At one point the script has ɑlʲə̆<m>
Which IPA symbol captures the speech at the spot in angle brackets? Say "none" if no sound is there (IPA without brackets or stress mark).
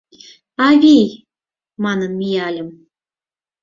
m